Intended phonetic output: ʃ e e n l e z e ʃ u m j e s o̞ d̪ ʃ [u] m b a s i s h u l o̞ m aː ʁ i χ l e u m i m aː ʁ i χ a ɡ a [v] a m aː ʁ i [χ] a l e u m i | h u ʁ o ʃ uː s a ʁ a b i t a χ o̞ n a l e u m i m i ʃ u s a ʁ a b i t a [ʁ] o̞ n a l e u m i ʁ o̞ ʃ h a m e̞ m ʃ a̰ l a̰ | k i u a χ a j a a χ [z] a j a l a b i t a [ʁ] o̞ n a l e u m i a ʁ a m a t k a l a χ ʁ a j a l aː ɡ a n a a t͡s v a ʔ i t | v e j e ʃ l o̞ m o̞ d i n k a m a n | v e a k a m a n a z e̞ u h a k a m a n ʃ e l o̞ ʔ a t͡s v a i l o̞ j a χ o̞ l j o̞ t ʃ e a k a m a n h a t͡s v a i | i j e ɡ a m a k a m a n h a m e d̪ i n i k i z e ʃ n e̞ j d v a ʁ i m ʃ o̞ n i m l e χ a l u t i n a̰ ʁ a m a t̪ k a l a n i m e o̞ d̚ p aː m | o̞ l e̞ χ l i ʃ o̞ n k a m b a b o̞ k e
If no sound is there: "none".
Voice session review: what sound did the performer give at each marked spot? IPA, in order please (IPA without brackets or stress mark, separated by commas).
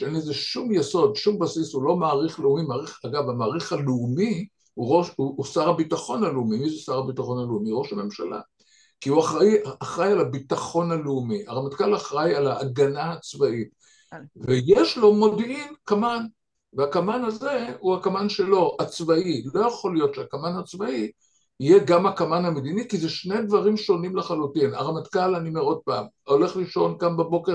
u, v, χ, χ, ʁ, χ